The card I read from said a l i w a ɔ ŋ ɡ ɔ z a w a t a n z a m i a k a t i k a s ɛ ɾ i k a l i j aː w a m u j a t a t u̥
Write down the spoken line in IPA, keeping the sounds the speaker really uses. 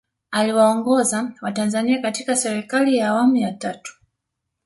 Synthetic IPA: a l i w a ɔ ŋ ɡ ɔ z a w a t a n z a n i a k a t i k a s ɛ ɾ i k a l i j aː w a m u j a t a t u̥